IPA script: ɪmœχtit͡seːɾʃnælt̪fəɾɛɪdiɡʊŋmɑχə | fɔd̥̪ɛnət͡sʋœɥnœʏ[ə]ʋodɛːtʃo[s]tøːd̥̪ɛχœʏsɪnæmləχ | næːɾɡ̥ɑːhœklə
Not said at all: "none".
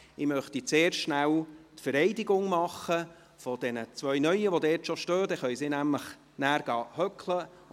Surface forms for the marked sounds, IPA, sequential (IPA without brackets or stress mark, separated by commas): ə, ʃ